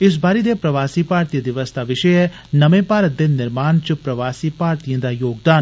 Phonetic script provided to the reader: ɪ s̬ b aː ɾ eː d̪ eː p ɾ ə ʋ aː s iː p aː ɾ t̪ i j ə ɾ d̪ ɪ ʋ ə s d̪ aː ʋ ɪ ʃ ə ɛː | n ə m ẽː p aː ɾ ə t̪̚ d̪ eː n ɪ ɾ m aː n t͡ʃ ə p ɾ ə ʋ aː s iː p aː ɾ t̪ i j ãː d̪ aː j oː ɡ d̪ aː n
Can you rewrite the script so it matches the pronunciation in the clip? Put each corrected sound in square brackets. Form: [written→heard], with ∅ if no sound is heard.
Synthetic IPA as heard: ɪ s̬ b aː ɾ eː d̪ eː p ɾ ə ʋ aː s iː p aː ɾ t̪ i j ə [ɾ→∅] d̪ ɪ ʋ ə s d̪ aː ʋ ɪ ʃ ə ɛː | n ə m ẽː p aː ɾ ə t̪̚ d̪ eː n ɪ ɾ m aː n t͡ʃ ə p ɾ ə ʋ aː s iː p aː ɾ t̪ i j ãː d̪ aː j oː ɡ d̪ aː n